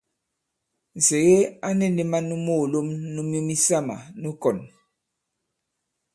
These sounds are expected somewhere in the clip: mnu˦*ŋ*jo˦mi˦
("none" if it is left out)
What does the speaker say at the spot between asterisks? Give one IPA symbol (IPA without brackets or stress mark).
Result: m